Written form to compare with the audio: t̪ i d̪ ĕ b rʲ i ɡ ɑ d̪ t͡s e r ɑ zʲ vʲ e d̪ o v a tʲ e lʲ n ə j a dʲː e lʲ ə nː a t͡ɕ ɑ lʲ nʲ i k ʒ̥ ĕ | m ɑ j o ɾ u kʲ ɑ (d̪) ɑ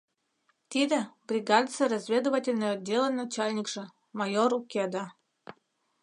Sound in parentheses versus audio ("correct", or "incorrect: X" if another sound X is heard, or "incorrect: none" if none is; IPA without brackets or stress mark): correct